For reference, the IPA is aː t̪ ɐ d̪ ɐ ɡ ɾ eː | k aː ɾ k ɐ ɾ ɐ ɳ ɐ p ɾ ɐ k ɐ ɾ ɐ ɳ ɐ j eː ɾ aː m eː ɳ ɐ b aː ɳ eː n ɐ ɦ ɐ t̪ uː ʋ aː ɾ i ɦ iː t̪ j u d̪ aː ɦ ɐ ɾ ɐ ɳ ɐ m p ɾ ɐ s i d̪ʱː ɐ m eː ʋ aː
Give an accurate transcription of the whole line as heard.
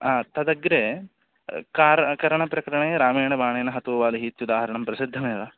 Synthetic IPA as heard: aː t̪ ɐ d̪ ɐ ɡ ɾ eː | k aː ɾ k ɐ ɾ ɐ ɳ ɐ p ɾ ɐ k ɐ ɾ ɐ ɳ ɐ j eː ɾ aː m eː ɳ ɐ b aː ɳ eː n ɐ ɦ ɐ t̪ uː ʋ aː l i ɦ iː t̪ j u d̪ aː ɦ ɐ ɾ ɐ ɳ ɐ m p ɾ ɐ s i d̪ʱː ɐ m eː ʋ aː